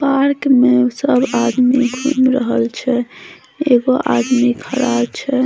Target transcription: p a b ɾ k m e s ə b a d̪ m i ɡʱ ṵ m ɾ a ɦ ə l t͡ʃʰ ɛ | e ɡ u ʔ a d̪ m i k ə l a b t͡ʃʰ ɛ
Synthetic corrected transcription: p a ɾ k m e s ə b a d̪ m i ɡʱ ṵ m ɾ ə ɦ ə l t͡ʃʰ ɛ | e ɡ o ʔ a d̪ m i kʰ ə ɾ a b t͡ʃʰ ɛ